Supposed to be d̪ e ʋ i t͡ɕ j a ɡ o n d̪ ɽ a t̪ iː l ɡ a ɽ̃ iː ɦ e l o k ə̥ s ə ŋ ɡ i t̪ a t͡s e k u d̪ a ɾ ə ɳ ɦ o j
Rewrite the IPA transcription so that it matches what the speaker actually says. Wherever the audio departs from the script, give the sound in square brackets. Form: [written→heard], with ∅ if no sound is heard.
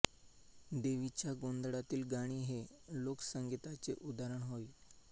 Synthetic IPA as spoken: d̪ e ʋ i t͡ɕ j a ɡ o n d̪ ɽ a t̪ iː l ɡ a ɽ̃ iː ɦ e l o k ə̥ s ə ŋ ɡ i t̪ a t͡s e [k→ʔ] u d̪ a ɾ ə ɳ ɦ o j